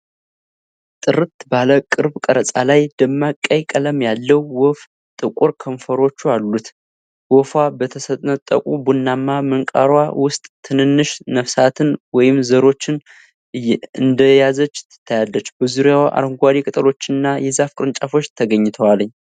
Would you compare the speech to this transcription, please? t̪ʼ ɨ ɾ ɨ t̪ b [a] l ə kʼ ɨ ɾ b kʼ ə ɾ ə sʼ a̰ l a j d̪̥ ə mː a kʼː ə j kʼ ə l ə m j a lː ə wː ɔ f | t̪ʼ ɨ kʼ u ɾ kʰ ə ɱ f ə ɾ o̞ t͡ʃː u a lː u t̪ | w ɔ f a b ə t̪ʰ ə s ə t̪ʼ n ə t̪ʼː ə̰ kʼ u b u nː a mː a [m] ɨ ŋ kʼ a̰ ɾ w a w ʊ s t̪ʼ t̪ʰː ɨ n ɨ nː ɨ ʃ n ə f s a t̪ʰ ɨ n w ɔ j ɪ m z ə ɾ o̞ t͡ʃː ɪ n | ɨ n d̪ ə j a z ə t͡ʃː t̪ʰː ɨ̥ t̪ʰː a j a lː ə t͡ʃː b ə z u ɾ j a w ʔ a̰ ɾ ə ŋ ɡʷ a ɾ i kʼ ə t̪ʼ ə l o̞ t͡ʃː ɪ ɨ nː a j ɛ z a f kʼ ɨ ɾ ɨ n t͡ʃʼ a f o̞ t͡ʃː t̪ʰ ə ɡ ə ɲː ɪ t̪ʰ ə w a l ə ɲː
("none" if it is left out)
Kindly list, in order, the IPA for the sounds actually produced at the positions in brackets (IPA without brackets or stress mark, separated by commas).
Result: a, m